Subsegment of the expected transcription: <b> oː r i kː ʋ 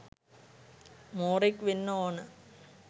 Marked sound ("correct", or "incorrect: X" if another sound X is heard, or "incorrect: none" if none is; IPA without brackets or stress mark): incorrect: m